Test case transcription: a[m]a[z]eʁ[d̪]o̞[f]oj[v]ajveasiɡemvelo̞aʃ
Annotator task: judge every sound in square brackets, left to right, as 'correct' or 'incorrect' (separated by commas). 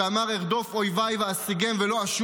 correct, incorrect, correct, correct, correct